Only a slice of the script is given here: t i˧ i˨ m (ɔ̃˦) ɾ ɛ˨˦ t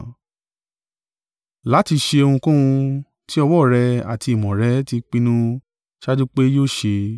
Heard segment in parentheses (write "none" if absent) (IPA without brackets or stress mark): ɔ̃˨